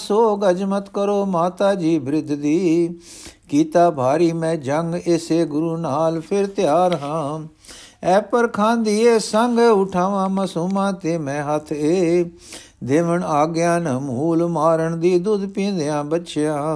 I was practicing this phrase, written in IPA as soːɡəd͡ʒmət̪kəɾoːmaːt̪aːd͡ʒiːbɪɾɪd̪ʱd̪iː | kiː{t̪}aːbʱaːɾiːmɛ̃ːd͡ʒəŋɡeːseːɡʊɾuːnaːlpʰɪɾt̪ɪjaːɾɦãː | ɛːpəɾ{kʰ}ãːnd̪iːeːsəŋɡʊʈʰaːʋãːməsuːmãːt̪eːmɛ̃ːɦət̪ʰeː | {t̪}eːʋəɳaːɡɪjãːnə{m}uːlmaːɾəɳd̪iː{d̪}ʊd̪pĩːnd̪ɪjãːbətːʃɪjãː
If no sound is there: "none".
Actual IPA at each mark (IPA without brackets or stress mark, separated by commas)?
t̪, kʰ, d̪, m, d̪